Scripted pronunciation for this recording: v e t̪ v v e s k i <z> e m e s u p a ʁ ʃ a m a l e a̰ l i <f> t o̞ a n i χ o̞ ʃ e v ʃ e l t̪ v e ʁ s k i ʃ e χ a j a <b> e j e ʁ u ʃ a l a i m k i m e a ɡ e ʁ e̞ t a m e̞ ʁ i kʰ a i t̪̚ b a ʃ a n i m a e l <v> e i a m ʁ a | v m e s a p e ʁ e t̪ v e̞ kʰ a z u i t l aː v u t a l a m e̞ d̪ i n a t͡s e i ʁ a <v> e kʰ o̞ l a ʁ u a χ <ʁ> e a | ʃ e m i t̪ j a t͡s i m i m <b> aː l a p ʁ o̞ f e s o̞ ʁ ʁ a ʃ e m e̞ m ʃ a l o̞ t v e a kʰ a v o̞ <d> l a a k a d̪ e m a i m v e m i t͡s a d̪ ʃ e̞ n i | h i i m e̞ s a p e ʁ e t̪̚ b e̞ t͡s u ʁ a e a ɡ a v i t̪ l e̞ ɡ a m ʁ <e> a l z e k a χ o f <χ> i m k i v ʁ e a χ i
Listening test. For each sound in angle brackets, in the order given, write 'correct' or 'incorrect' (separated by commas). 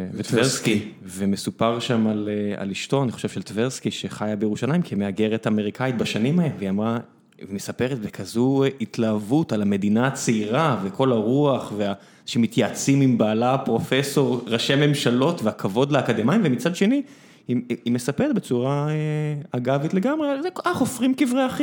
incorrect, incorrect, correct, correct, correct, incorrect, correct, correct, correct, incorrect